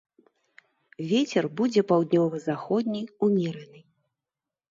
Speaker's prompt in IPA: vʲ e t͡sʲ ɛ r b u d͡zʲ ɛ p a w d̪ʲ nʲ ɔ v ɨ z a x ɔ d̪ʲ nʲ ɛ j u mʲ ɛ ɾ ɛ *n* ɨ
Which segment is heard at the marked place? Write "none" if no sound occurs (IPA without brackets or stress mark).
n